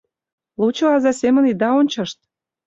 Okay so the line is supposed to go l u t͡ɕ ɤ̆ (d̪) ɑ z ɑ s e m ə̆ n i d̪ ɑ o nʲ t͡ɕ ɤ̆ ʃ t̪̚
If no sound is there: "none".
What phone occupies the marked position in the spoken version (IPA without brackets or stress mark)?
none